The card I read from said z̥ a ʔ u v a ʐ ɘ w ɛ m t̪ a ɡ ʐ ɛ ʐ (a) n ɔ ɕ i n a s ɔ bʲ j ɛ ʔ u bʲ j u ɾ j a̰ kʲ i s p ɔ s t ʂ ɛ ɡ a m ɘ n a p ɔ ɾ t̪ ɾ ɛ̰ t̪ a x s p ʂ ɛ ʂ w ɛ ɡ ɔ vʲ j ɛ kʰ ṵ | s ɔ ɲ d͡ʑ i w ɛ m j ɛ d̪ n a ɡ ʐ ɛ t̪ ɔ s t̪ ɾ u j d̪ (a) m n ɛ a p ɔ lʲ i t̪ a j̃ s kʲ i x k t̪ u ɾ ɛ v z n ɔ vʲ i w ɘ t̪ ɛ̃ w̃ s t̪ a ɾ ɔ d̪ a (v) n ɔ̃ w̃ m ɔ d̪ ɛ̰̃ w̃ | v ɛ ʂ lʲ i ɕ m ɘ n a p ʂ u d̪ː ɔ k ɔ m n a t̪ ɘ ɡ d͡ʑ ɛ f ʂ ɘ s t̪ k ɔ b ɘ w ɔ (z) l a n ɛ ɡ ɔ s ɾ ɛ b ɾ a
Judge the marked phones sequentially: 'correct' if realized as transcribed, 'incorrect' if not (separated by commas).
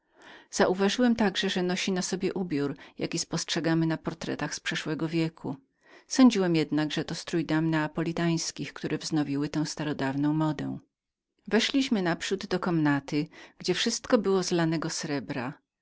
incorrect, correct, correct, correct